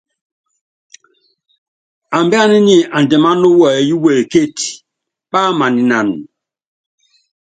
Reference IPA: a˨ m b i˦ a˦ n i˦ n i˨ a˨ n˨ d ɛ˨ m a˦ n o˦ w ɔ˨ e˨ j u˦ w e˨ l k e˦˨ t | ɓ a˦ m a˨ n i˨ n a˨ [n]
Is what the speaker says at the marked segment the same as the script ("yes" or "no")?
yes